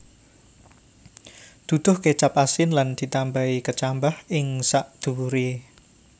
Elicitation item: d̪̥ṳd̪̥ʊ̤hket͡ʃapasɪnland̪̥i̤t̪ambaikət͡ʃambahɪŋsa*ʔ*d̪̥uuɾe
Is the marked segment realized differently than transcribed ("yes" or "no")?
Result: no